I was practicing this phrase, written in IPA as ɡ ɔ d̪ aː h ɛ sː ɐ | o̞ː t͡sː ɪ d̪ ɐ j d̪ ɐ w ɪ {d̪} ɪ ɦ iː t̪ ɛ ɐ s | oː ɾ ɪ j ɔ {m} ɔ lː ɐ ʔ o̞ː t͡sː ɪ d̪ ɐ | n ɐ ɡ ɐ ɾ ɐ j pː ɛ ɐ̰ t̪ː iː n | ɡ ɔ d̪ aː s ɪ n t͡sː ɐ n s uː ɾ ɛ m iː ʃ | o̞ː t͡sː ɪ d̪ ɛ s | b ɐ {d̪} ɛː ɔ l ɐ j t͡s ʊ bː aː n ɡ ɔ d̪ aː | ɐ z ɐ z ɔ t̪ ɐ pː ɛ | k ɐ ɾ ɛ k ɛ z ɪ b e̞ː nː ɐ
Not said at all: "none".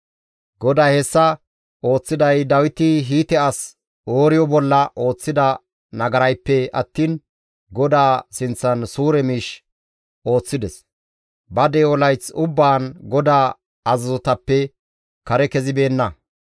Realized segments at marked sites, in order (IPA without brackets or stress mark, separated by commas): t̪, b, d̪